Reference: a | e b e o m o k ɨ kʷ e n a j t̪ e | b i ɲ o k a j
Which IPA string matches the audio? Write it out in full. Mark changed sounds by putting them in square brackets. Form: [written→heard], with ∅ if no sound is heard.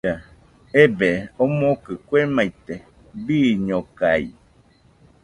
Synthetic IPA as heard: a | e b e o m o k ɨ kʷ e [n→m] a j t̪ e | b i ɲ o k a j